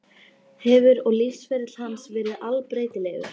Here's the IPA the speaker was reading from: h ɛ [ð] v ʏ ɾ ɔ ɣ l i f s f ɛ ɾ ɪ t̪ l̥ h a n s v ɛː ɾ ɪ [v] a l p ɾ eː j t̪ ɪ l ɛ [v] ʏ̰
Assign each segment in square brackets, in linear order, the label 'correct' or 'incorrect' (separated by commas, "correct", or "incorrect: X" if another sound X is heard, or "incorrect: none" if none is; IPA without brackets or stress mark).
incorrect: none, incorrect: ð, incorrect: ɣ